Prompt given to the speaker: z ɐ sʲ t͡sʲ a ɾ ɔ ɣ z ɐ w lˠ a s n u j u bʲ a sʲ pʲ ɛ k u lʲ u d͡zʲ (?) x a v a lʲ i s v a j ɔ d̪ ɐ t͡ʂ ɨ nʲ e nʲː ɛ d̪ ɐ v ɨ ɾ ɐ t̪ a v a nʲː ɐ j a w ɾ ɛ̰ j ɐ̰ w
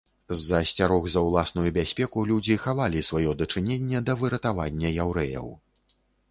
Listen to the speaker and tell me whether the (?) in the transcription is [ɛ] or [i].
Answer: i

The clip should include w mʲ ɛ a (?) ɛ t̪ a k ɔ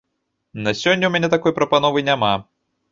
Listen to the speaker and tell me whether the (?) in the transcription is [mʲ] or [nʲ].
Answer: nʲ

